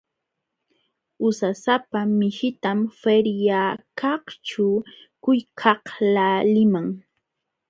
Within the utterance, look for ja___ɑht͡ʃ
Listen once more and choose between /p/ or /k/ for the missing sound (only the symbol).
k